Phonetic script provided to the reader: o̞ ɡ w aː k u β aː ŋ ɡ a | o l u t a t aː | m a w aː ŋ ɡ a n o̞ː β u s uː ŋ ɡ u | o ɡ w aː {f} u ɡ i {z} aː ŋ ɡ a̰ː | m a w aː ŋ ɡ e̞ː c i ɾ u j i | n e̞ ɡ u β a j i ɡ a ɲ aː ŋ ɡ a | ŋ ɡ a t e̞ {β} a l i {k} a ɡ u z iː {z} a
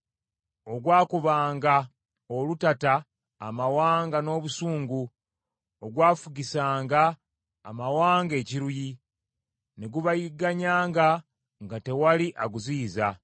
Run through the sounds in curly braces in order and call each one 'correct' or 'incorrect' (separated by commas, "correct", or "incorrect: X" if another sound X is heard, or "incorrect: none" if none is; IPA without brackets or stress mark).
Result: correct, incorrect: s, incorrect: w, incorrect: ʔ, correct